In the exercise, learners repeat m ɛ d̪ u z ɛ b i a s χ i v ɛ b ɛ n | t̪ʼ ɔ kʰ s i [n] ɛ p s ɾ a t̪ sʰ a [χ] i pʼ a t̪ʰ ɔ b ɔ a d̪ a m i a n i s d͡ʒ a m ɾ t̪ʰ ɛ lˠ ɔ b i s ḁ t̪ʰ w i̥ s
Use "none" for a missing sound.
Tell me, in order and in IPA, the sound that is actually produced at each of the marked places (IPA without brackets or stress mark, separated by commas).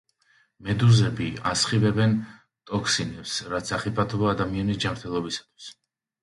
n, χ